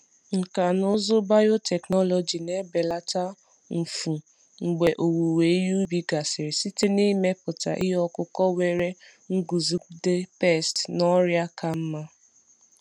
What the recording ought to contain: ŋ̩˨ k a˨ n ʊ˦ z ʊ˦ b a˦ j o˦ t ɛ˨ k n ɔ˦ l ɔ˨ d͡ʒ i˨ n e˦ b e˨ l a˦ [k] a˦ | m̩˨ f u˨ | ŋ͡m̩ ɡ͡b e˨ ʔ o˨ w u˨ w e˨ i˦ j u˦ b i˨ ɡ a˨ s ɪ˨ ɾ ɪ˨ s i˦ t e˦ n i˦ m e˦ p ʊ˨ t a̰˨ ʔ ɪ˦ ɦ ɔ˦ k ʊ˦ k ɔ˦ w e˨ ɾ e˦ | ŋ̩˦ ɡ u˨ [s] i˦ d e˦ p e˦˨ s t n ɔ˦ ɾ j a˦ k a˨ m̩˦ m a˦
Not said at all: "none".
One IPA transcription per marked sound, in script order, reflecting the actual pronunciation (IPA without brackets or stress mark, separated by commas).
t, z